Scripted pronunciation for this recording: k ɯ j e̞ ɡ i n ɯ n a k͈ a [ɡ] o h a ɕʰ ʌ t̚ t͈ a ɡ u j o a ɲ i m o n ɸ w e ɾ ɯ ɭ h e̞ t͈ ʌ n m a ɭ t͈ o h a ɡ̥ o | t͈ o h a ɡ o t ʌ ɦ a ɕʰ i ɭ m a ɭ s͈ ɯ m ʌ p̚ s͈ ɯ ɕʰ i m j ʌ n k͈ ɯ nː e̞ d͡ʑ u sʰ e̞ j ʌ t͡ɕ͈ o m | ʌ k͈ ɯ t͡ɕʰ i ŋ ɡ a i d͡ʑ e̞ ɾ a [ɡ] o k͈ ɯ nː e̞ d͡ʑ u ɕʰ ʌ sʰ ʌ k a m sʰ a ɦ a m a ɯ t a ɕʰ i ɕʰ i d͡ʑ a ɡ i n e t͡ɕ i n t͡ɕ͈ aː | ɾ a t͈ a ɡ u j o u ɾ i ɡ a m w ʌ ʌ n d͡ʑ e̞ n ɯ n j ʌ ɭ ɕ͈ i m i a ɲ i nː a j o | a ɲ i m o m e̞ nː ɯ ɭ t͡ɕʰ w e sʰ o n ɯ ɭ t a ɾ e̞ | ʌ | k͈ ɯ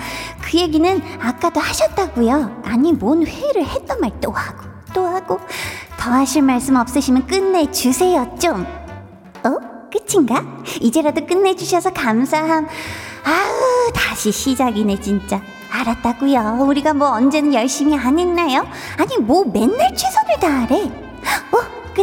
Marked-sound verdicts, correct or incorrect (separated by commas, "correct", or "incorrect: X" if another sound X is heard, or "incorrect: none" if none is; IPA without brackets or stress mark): incorrect: d, incorrect: d